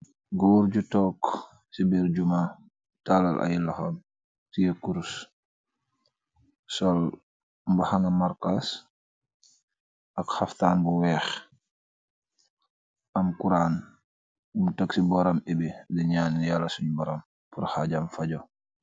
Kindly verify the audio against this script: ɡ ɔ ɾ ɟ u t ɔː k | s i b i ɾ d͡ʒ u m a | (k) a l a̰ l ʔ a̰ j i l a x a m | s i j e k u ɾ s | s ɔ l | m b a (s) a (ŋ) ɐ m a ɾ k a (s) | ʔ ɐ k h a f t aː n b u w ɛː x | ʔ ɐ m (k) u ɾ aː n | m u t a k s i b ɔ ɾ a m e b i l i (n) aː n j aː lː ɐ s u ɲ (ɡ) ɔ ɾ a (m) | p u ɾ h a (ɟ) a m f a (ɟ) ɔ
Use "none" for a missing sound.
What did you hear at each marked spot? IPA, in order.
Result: t, h, ŋ, s, k, ɲ, b, m, ɟ, ɟ

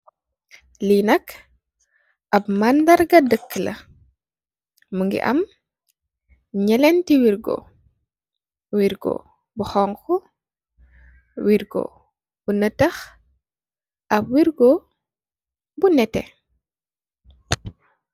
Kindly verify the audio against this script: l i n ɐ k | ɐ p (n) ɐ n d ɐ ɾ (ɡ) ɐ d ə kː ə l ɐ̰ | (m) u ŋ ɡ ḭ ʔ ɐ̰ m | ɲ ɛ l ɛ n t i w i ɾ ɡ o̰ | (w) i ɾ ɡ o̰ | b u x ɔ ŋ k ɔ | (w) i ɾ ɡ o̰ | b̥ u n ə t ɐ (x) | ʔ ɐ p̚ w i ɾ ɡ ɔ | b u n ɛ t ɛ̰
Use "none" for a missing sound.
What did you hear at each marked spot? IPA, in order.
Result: m, ɡ, m, w, w, x

